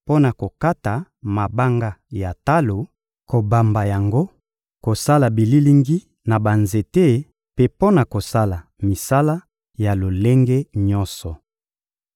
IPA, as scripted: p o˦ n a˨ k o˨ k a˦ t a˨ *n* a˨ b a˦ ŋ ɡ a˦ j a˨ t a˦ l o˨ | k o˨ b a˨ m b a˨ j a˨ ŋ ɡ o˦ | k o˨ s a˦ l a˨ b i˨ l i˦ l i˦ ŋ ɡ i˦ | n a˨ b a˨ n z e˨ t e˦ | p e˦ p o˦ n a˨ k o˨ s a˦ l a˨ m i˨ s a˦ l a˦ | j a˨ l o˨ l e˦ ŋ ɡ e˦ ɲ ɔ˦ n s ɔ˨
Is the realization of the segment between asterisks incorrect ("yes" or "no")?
yes